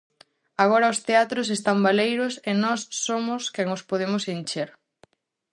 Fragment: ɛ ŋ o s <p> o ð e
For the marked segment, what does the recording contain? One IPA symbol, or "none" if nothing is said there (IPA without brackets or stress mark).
p